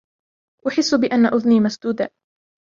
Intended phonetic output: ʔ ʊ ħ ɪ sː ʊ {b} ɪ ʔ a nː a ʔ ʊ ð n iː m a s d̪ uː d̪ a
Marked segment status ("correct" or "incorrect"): correct